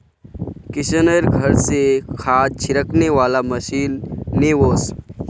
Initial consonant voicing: voiceless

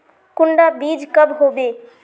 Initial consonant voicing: voiceless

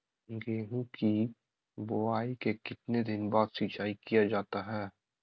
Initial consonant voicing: voiced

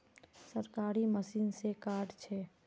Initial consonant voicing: voiceless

